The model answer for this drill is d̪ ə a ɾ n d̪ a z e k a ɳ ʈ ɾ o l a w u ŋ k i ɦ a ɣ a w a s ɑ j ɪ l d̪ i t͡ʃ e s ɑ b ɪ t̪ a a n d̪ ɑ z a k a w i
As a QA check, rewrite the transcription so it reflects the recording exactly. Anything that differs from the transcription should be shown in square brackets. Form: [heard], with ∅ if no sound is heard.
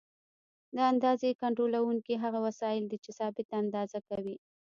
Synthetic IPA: d̪ ə a [∅] n d̪ [ɑ] z e k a ɳ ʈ ɾ o l a w u ŋ k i ɦ a ɣ a w a s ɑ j ɪ l d̪ i t͡ʃ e s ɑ b ɪ t̪ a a n d̪ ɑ z a k a w i